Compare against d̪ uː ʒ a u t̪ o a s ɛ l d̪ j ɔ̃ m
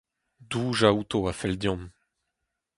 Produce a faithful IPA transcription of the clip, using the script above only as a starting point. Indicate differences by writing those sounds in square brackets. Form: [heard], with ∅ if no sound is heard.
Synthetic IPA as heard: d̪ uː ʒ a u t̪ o a [f] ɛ l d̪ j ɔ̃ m